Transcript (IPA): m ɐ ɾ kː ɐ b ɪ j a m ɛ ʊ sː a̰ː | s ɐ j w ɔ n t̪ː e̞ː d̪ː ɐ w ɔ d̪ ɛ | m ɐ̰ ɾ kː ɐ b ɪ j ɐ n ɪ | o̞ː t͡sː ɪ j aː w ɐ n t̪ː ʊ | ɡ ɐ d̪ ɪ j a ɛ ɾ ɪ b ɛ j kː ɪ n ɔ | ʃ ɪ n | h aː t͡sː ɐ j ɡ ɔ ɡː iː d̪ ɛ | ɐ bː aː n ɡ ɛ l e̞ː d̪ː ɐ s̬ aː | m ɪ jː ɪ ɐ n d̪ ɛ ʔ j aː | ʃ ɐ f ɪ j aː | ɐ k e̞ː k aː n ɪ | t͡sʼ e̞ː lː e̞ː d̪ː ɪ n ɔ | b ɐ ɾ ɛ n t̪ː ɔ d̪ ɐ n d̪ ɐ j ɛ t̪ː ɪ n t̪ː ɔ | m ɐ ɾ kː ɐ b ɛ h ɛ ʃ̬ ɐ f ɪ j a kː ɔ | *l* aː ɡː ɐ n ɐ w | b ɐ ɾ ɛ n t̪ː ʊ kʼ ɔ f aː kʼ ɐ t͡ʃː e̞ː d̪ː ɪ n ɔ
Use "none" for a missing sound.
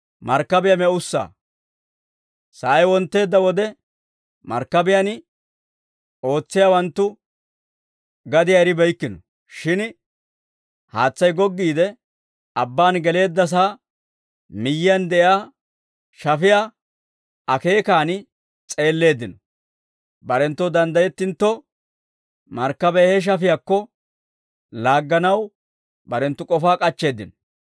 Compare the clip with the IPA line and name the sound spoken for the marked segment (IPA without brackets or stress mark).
l